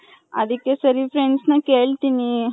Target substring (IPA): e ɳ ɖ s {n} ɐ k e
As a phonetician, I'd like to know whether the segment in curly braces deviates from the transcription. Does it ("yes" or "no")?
no